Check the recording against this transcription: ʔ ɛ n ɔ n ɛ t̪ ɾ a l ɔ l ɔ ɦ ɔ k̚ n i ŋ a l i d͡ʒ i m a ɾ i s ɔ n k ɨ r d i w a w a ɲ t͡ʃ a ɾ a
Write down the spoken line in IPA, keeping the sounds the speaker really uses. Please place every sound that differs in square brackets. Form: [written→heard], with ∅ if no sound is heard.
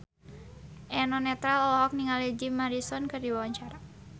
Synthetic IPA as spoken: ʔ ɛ n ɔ n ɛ t̪ ɾ a l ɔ l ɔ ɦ ɔ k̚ n i ŋ a l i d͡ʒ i m a ɾ i s ɔ n k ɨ r d i w a w a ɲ t͡ʃ a ɾ a